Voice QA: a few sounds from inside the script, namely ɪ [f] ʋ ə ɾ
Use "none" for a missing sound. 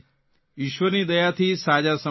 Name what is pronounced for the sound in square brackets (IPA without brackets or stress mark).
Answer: ʃ